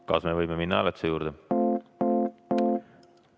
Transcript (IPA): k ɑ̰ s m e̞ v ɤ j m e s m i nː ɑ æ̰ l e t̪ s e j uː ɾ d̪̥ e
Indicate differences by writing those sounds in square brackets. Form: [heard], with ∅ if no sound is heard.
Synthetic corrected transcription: k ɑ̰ s m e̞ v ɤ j m e [∅] m i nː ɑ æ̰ l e t̪ s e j uː ɾ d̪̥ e